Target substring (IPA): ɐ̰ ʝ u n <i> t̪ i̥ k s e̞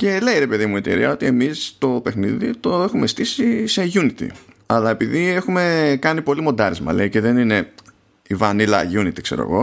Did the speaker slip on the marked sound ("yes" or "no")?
no